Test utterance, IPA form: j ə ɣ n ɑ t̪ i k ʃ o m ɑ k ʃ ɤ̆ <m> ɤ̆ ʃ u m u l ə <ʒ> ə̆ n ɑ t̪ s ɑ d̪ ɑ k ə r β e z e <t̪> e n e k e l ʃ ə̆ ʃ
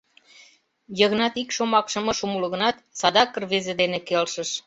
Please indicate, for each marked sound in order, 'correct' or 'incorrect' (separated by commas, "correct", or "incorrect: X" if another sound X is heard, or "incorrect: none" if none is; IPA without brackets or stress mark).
correct, incorrect: ɣ, incorrect: d̪